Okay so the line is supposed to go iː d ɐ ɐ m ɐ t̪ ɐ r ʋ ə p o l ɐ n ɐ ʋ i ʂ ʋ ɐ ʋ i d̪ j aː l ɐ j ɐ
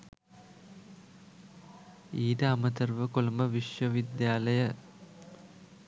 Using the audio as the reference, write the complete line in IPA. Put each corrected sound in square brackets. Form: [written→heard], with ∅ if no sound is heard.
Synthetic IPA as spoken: iː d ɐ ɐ m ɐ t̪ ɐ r ʋ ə [p→k] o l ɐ [n→m] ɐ ʋ i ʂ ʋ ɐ ʋ i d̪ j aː l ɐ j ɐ